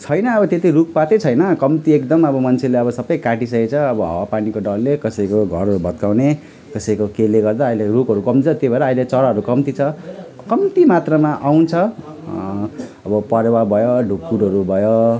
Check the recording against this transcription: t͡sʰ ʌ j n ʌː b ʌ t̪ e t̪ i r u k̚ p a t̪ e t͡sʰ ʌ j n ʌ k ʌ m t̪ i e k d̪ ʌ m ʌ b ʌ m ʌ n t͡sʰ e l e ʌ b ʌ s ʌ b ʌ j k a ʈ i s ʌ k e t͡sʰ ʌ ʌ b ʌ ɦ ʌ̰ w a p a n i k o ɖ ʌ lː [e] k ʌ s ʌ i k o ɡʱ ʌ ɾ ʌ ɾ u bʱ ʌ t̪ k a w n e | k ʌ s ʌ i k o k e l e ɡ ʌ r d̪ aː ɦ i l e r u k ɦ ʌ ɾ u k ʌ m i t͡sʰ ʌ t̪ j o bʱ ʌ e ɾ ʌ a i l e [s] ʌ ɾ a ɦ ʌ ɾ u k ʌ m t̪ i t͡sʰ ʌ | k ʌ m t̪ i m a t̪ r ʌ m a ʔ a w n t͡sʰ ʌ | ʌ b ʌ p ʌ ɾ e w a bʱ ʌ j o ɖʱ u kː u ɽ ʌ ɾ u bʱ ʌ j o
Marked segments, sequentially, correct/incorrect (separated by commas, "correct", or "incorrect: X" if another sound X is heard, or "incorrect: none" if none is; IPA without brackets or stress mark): correct, incorrect: t͡s